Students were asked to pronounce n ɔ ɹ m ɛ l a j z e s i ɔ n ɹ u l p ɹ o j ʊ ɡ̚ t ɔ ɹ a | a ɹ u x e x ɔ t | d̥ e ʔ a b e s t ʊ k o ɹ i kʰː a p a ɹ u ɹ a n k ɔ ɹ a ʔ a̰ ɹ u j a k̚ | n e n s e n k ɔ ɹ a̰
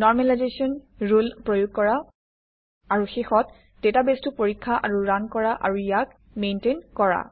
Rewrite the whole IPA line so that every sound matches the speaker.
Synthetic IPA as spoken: n ɔ ɹ m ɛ l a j z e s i ɔ n ɹ u l p ɹ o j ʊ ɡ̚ k ɔ ɹ a | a ɹ u x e x ɔ t | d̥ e t a b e s t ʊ p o ɹ i kʰː a ʔ a ɹ u ɹ a n k ɔ ɹ a ʔ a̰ ɹ u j a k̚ | m e n t e n k ɔ ɹ a̰